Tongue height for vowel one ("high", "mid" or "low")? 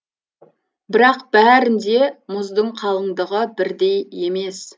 high